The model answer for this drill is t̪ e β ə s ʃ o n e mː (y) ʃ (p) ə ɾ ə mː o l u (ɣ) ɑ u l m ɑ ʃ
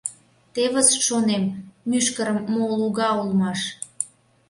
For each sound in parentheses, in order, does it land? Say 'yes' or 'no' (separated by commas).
yes, no, yes